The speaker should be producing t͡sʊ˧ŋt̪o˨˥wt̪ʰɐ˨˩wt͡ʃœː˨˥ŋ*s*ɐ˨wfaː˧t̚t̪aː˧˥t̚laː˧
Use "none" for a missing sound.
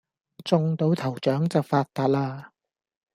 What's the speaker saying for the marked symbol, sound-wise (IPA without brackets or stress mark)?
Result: t͡s